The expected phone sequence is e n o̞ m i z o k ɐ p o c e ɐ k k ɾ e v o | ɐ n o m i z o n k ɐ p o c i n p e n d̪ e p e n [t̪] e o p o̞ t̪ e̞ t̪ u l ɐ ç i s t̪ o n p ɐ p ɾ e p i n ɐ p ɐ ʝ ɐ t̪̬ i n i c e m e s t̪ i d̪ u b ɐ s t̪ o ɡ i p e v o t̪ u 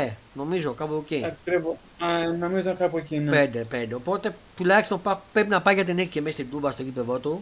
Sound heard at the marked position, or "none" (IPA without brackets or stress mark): d̪